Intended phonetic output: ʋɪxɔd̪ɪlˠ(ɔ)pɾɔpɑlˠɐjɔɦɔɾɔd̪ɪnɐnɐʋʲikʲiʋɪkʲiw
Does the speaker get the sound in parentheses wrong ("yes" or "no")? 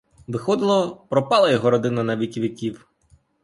no